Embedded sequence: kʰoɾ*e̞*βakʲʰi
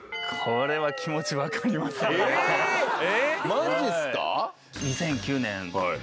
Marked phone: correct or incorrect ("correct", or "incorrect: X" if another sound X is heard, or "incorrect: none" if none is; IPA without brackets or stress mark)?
correct